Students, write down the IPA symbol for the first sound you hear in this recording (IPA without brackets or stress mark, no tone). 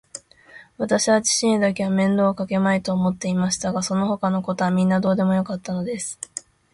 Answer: β